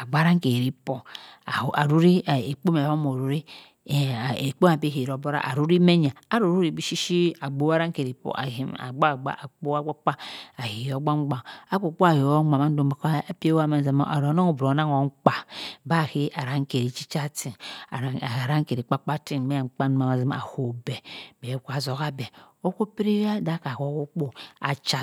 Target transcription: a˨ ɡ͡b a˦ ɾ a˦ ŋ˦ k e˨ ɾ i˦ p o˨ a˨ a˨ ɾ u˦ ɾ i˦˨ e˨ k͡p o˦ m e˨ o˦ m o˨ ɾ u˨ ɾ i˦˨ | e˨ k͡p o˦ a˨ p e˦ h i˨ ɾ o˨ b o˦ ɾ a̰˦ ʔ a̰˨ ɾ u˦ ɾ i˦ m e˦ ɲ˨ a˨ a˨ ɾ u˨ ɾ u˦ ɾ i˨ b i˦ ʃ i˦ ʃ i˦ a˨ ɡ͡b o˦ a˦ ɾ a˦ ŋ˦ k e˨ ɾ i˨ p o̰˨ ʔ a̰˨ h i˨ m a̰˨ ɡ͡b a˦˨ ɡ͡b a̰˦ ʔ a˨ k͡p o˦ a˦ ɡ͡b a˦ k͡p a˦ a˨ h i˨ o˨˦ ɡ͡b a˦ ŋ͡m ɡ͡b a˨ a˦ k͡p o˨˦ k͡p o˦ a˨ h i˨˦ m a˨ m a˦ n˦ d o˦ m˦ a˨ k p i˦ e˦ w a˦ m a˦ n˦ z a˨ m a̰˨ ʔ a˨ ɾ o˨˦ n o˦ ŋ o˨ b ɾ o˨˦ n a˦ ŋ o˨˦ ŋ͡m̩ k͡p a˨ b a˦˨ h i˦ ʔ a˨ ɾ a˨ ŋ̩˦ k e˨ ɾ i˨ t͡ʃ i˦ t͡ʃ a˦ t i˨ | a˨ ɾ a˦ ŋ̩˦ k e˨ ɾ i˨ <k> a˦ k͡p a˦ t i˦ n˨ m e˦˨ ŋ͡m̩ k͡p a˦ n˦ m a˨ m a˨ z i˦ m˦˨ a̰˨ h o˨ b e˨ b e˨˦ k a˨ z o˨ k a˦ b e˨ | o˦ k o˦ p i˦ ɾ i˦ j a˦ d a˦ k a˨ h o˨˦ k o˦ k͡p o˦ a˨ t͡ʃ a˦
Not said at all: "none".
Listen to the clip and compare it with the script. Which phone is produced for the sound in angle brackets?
k͡p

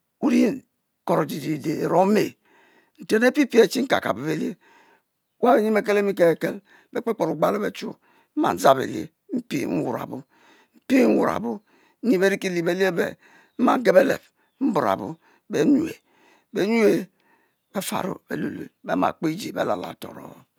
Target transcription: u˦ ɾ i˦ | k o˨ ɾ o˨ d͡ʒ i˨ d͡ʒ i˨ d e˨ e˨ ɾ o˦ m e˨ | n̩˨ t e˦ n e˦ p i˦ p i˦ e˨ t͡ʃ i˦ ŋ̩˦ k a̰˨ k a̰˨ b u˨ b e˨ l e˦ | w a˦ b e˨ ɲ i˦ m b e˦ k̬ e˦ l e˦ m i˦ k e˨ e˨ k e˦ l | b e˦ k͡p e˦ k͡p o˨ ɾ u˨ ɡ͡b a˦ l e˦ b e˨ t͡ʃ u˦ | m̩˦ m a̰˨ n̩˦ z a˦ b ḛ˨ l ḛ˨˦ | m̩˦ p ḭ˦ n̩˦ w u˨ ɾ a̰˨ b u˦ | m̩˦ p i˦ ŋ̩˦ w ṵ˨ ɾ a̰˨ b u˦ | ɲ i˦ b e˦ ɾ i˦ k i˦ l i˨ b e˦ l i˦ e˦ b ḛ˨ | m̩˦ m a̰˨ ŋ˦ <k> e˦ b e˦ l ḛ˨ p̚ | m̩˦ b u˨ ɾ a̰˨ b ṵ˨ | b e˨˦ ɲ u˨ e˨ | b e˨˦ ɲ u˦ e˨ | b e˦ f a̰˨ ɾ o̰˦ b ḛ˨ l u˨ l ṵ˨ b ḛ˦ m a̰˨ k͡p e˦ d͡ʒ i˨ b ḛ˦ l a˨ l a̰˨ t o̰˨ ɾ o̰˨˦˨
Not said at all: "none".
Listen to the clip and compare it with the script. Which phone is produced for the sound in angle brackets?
ɡ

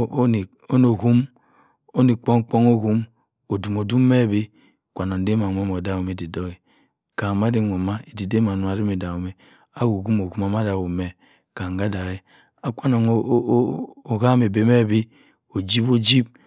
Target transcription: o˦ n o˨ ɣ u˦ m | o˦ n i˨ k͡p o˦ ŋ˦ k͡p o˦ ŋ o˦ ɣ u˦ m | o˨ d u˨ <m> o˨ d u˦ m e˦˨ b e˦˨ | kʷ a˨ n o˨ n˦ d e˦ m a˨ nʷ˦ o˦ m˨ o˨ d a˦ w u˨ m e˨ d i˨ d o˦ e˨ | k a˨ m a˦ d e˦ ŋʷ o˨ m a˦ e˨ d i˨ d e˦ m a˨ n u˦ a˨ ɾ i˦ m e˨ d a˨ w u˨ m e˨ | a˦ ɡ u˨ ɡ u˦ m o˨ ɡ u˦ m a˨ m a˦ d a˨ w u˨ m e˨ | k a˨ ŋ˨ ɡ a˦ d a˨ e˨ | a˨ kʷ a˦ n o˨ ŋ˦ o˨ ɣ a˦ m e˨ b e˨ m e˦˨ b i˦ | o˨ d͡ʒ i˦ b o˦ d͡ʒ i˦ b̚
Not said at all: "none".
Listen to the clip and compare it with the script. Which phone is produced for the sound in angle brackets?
m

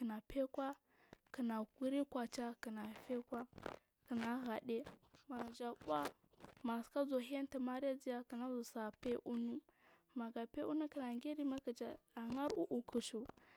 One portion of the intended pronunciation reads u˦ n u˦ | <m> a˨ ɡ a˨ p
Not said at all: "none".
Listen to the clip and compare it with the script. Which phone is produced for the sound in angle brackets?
m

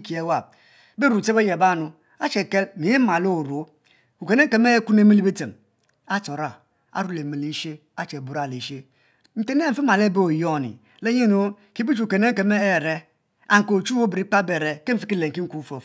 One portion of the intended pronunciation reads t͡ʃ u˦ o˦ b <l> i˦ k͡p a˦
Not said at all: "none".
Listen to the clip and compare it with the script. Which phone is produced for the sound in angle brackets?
ɾ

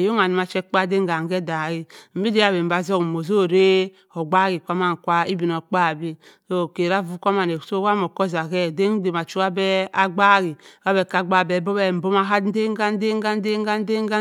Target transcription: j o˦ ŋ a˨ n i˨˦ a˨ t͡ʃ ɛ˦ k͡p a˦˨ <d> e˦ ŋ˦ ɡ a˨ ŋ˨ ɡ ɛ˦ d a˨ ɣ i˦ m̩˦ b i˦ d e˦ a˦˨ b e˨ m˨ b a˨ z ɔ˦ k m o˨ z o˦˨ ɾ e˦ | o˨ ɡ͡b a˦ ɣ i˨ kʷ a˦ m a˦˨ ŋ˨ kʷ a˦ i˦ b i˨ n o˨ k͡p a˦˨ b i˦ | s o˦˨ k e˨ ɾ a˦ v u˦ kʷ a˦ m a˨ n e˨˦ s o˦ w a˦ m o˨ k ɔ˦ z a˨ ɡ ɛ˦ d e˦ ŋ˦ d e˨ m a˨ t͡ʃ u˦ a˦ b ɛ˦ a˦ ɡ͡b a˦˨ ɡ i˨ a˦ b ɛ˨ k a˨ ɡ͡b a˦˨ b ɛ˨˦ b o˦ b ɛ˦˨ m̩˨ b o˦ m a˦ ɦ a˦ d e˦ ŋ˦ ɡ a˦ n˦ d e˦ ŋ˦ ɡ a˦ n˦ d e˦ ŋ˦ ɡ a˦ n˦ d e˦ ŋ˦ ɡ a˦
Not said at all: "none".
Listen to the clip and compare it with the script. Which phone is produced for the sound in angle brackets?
d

